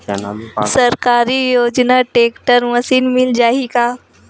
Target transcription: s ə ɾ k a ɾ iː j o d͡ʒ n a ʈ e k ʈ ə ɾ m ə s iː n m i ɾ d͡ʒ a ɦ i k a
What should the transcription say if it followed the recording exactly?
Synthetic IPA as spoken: s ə ɾ k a ɾ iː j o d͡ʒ n a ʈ e k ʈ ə ɾ m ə s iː n m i l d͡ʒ a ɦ i k a